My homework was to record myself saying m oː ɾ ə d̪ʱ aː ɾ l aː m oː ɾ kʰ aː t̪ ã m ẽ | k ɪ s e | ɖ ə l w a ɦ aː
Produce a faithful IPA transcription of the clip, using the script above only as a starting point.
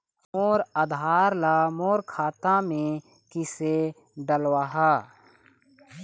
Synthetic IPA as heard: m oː ɾ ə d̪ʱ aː ɾ l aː m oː ɾ kʰ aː t̪ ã m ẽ | k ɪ s e | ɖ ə l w a ɦ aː